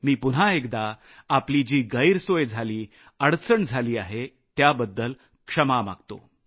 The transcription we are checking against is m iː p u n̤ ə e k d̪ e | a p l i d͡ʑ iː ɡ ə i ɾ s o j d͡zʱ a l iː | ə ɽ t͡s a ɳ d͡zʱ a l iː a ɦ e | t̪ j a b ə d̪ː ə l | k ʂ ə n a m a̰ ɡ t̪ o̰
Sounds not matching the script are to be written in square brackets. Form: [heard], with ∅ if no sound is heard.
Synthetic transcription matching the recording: m iː p u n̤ [a] e k d̪ [a] | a p l i d͡ʑ iː ɡ ə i ɾ s o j d͡zʱ a l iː | ə ɽ t͡s [ə] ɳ d͡zʱ a l iː a ɦ e | t̪ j a b ə d̪ː ə l | k ʂ ə [m] a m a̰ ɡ t̪ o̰